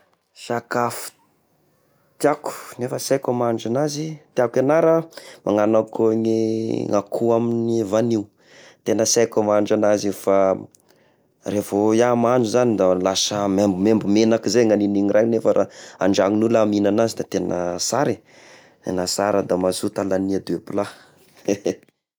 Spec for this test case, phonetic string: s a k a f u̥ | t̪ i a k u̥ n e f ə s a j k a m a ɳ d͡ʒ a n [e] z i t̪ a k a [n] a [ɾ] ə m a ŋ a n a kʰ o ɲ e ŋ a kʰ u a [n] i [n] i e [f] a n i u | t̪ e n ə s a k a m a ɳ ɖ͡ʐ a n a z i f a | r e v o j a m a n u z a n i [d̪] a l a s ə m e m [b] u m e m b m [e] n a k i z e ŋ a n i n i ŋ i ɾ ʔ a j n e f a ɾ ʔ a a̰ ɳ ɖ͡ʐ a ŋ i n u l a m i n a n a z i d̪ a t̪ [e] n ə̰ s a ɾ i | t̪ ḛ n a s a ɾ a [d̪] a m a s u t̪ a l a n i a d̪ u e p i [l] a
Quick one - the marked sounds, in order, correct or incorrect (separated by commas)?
incorrect, correct, correct, incorrect, correct, incorrect, correct, correct, correct, correct, correct, correct